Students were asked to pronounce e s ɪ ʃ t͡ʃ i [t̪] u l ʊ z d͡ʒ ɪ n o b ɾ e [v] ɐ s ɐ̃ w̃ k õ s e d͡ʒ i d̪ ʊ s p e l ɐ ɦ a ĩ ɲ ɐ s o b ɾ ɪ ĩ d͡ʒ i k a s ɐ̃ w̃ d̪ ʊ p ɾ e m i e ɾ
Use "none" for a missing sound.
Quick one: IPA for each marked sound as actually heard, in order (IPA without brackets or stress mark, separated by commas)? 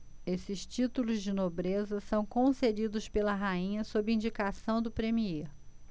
t̪, z